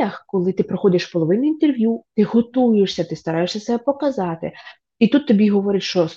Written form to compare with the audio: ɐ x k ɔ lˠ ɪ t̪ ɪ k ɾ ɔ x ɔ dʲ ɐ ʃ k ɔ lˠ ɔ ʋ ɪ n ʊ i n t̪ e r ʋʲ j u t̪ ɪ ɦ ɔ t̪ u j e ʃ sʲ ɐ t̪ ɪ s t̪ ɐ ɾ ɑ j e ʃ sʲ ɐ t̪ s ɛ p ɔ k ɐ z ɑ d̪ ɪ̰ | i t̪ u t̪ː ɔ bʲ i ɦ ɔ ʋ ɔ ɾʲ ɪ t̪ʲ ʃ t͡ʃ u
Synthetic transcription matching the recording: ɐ x k ɔ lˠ ɪ t̪ ɪ p ɾ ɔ x ɔ dʲ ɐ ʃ p ɔ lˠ ɔ ʋ ɪ n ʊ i n t̪ e r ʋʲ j u t̪ ɪ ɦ ɔ t̪ u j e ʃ sʲ ɐ t̪ ɪ s t̪ ɐ ɾ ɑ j e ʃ sʲ ɐ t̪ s ɛ p ɔ k ɐ z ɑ t̪ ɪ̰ | i t̪ u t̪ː ɔ bʲ i ɦ ɔ ʋ ɔ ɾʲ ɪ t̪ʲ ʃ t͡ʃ ɔ